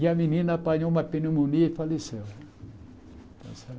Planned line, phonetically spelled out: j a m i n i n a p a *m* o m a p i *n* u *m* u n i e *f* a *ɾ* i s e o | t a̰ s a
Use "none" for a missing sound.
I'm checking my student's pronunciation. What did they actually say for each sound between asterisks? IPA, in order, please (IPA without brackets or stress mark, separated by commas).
ɲ, n, m, f, l